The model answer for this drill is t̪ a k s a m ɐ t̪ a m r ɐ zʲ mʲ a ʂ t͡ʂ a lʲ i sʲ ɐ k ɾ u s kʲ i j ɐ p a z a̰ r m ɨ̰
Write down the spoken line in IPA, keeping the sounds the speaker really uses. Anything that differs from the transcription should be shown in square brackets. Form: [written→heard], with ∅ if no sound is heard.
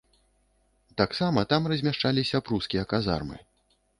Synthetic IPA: t̪ a k s a m ɐ t̪ a m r ɐ zʲ mʲ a ʂ t͡ʂ a lʲ i sʲ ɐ [k→p] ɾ u s kʲ i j ɐ [p→k] a z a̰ r m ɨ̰